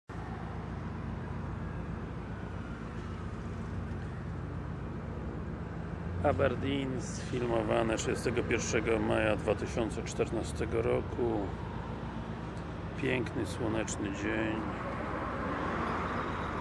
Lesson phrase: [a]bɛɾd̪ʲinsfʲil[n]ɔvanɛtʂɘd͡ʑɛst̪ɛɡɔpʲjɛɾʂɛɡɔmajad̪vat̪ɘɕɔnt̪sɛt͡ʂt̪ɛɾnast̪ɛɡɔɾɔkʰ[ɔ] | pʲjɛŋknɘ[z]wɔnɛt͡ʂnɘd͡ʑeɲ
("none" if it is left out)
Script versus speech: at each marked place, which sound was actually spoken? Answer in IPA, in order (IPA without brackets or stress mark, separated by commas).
a, m, u, s